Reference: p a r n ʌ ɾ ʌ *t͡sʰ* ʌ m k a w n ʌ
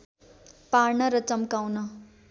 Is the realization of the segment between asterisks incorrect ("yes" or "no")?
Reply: yes